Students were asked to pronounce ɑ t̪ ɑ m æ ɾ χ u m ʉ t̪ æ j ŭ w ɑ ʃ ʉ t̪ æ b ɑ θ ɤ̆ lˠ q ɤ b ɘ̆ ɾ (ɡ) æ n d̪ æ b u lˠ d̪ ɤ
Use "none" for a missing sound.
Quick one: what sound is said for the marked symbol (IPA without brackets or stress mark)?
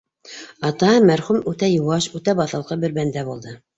b